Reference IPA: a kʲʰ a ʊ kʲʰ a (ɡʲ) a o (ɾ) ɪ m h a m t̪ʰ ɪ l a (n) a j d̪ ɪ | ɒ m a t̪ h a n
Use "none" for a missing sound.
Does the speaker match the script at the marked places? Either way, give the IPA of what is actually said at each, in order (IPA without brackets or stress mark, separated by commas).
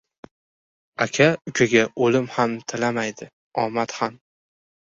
ɡʲ, l, m